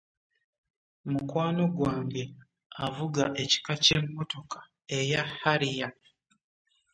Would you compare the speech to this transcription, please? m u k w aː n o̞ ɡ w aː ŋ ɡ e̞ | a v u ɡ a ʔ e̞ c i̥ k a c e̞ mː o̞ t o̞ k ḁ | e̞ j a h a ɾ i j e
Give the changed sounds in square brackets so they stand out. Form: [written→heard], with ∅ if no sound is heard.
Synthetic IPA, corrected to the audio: m u k w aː n o̞ ɡ w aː ŋ ɡ e̞ | a v u ɡ a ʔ e̞ c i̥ k a c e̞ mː o̞ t o̞ k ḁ | e̞ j a h a ɾ i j [e→a]

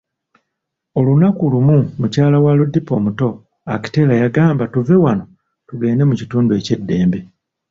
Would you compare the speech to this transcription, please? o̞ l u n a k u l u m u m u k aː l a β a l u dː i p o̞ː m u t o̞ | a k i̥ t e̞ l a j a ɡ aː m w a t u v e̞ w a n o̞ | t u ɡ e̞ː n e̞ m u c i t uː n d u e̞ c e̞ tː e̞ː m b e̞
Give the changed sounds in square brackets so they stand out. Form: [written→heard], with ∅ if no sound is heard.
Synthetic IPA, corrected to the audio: o̞ l u n a k u l u m u m u [k→c] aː l a [β→w] a l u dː i p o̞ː m u t o̞ | a k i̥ t e̞ l a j a ɡ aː m [w→b] a t u v e̞ w a n o̞ | t u ɡ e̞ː n e̞ m u c i t uː n d u e̞ c e̞ [tː→dː] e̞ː m b e̞

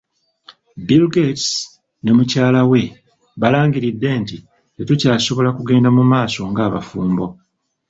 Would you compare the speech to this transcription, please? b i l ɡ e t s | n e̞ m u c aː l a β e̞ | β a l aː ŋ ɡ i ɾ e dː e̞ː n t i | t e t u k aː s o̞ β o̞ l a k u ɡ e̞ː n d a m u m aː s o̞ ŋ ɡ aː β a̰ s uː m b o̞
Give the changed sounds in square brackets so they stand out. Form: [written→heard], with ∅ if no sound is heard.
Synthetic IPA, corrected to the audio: b i l ɡ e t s | n e̞ m u c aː l a [β→w] e̞ | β a l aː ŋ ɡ i ɾ [e→i] dː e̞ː n t i | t e t u [k→c] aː s o̞ β o̞ l a k u ɡ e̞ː n d a m u m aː s o̞ ŋ ɡ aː β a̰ [s→f] uː m b o̞

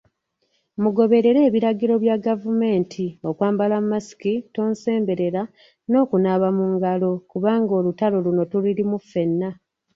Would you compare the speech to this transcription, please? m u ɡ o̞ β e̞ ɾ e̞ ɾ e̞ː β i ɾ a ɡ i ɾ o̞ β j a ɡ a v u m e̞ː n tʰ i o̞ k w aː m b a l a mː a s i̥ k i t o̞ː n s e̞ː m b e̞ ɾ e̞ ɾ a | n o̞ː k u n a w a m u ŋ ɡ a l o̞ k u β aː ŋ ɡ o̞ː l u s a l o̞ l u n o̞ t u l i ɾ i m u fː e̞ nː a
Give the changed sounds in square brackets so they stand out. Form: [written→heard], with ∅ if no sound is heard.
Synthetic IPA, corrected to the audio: m u ɡ o̞ β e̞ ɾ e̞ ɾ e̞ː β i ɾ a ɡ i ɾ o̞ β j a ɡ a v u m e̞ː n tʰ i o̞ k w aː m b a l a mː a s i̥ k i t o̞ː n s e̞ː m b e̞ ɾ e̞ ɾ a | n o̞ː k u n a [w→β] a m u ŋ ɡ a l o̞ k u β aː ŋ ɡ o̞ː l u [s→t] a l o̞ l u n o̞ t u l i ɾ i m u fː e̞ nː a

